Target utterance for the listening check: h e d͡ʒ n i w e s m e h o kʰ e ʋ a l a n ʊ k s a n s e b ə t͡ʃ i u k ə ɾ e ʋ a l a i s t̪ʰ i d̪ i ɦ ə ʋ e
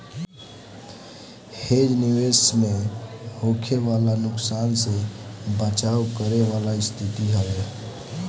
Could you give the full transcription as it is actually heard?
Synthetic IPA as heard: h e d͡ʒ n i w e s m e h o kʰ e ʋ a l a n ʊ k s a n s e b ə t͡ʃ a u k ə ɾ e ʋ a l a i s t̪ʰ i t̪ i ɦ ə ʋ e